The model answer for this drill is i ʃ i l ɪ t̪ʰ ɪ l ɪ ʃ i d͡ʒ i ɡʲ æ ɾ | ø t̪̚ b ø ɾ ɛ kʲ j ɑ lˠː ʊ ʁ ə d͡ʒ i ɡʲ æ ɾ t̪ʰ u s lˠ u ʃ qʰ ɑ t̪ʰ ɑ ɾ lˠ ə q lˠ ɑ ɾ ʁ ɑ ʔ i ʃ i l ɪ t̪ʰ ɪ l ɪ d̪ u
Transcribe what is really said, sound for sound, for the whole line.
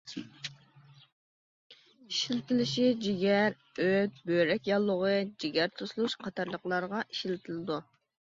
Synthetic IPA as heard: i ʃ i l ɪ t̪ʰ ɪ l ɪ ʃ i d͡ʒ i ɡʲ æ ɾ | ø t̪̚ b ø ɾ ɛ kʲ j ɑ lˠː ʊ ʁ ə d͡ʒ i ɡʲ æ ɾ t̪ʰ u s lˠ u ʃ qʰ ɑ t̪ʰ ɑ ɾ lˠ ə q lˠ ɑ ɾ ʁ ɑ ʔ i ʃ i l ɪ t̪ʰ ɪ l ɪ d̪ u